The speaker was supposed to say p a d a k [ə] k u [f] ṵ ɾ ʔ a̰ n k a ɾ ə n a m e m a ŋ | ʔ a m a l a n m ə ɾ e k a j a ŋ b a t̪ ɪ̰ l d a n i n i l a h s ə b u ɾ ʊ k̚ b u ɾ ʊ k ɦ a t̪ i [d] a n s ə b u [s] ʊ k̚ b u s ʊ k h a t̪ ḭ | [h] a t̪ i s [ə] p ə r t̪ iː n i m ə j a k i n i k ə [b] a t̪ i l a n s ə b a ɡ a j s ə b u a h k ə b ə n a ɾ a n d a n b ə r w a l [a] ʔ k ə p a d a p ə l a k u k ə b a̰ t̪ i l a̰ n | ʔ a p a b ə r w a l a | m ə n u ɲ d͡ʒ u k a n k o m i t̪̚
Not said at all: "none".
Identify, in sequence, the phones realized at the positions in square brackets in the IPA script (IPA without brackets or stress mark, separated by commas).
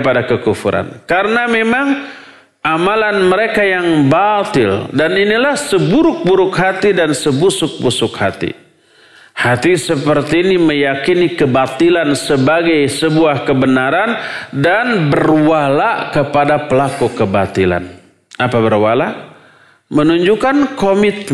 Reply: ə, f, d, s, h, ə, b, a